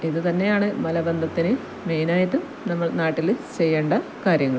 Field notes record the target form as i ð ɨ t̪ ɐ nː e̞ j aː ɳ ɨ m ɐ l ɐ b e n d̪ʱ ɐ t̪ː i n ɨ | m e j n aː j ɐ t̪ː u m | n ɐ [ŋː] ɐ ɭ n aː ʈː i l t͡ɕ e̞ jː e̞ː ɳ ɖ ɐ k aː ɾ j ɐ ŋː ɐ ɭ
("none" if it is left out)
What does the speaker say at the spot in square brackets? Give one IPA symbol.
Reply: mː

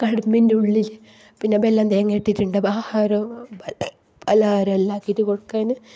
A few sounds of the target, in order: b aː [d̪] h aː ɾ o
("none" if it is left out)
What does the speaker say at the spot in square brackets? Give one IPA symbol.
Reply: none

